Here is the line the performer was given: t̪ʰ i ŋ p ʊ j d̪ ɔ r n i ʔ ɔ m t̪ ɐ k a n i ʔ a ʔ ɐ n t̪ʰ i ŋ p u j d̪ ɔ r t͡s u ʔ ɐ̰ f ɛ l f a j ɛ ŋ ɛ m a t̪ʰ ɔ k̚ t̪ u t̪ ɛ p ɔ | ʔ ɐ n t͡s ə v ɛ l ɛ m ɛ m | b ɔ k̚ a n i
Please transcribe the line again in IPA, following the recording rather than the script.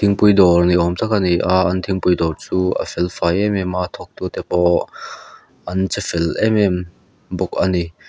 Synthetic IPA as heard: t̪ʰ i ŋ p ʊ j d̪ ɔ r n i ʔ ɔ m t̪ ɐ k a n i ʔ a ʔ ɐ n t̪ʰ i ŋ p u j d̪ ɔ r t͡s u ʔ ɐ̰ f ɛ l f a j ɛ m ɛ m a t̪ʰ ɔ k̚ t̪ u t̪ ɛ p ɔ | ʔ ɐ n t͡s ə f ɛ l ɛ m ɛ m | b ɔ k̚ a n i